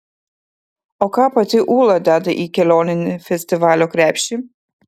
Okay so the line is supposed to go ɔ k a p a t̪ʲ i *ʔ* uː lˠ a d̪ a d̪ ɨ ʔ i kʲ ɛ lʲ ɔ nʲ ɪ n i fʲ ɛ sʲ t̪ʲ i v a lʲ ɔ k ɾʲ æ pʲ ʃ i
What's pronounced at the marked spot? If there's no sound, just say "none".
ʔ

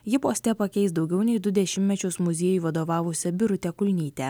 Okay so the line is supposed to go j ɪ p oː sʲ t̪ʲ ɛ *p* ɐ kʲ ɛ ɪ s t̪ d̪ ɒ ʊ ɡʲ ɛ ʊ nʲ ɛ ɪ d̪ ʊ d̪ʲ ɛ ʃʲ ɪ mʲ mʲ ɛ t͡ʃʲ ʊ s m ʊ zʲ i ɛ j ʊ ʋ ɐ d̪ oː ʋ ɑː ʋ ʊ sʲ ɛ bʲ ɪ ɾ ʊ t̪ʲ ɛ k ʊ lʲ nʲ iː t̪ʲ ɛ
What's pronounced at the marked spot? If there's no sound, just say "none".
p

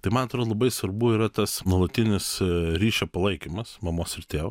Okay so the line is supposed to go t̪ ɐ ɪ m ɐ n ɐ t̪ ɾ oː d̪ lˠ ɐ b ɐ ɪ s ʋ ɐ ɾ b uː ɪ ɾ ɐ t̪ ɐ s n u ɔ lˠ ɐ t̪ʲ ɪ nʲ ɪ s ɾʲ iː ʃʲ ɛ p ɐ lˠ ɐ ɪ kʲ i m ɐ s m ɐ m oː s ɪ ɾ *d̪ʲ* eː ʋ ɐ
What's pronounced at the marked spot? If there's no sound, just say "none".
t̪ʲ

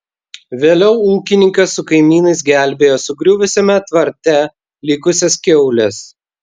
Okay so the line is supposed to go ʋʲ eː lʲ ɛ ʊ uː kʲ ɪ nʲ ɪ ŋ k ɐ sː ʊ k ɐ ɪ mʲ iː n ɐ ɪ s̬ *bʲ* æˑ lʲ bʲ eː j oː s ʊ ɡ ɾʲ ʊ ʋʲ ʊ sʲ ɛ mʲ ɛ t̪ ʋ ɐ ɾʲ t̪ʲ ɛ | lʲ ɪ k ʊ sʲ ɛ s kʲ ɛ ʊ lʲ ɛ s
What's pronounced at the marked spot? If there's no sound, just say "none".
ɡʲ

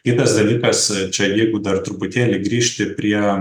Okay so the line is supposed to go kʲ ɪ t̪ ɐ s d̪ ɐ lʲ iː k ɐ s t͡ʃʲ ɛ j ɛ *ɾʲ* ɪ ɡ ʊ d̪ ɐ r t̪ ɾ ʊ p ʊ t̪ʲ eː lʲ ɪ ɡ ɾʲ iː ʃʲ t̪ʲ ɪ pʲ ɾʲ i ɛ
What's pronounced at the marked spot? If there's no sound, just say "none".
none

